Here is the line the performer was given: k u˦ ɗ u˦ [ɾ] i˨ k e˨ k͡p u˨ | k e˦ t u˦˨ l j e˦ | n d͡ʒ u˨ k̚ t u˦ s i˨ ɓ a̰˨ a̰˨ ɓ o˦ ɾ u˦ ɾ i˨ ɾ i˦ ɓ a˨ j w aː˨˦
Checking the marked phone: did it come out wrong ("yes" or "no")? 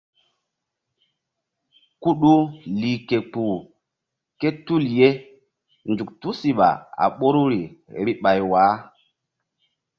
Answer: yes